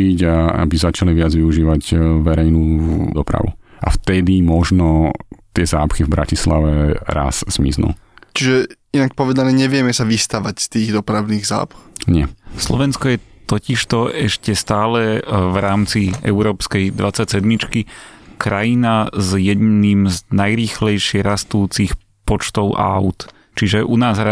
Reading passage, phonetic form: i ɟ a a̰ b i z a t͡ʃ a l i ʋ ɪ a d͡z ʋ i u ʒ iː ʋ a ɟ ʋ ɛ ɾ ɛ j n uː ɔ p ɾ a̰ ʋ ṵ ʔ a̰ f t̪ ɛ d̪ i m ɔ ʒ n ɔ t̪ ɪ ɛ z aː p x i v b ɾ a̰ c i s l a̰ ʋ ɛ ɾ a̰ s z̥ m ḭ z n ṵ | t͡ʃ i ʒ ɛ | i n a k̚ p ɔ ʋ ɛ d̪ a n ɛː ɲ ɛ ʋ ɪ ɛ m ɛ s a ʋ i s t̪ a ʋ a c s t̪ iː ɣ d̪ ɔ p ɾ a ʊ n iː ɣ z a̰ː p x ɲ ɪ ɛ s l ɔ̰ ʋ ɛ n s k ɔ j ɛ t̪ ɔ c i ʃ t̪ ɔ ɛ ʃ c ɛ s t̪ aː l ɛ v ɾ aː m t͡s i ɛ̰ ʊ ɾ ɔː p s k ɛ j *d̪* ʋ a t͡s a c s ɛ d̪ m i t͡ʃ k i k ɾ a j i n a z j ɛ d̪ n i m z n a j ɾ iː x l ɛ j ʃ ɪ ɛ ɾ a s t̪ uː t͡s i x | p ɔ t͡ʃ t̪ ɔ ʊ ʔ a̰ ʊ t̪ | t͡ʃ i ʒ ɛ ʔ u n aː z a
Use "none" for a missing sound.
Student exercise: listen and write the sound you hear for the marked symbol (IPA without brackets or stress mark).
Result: d̪